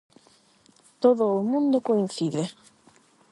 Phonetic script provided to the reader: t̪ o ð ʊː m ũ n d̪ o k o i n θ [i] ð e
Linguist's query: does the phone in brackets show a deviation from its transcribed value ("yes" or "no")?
no